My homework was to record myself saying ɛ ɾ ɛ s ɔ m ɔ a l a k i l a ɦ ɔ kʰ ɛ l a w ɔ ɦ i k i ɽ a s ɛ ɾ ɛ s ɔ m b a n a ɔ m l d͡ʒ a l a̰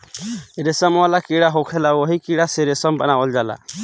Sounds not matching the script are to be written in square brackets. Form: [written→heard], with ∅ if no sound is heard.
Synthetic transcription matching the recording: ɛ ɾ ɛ s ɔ m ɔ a l a k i [l→ɽ] a ɦ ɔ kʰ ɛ l a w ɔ ɦ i k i ɽ a s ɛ ɾ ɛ s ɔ m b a n a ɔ [m→∅] l d͡ʒ a l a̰